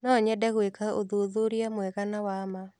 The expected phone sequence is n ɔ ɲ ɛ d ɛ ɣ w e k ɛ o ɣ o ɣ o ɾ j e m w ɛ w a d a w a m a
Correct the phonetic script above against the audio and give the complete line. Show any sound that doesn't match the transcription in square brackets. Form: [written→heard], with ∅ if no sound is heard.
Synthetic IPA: n ɔ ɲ ɛ d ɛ ɣ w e k [ɛ→a] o [ɣ→ð] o [ɣ→ð] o ɾ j [e→a] m w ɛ [w→ɣ] a [d→n] a w a m a